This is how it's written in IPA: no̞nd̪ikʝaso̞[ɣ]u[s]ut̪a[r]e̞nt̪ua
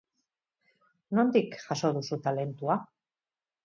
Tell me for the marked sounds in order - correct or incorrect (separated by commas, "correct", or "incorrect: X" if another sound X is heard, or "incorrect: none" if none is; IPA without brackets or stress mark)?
incorrect: ð, correct, incorrect: l